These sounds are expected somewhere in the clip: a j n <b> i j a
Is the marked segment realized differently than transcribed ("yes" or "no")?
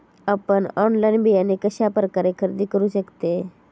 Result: no